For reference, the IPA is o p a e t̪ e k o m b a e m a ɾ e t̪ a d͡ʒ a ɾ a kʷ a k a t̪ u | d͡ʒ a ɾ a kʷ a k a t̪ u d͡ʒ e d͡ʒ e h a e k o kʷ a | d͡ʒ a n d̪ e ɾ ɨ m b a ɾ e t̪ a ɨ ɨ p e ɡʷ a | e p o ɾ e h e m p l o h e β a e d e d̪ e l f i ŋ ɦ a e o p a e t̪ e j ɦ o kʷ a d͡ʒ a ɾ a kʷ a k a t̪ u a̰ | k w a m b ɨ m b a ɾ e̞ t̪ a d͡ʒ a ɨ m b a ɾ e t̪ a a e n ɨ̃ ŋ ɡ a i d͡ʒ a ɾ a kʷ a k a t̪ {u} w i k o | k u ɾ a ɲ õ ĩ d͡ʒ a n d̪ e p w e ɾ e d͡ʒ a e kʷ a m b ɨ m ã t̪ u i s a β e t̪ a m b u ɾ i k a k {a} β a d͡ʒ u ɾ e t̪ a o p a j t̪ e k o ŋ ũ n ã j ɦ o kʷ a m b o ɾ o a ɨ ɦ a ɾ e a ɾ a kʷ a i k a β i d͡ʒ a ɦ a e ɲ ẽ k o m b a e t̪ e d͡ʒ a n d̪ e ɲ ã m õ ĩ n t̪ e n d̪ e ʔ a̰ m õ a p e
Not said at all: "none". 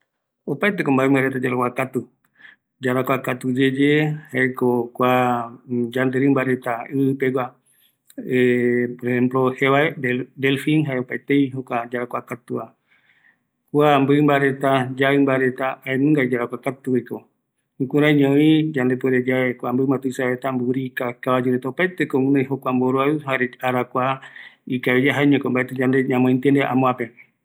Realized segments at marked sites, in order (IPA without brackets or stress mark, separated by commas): u, a